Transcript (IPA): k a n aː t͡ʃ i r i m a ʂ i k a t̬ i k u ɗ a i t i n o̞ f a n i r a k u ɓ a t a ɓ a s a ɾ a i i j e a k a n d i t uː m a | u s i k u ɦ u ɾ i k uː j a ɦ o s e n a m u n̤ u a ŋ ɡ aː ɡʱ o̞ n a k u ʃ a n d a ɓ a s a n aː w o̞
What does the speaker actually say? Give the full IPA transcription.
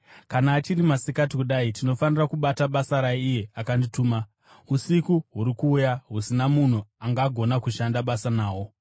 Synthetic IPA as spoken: k a n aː t͡ʃ i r i m a s i k a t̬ i k u ɗ a i t i n o̞ f a n i r a k u ɓ a t a ɓ a s a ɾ a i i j e a k a n d i t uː m a | u s i k u ɦ u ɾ i k uː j a ɦ u s i n a m u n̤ u a ŋ ɡ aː ɡʱ o̞ n a k u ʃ a n d a ɓ a s a n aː w o̞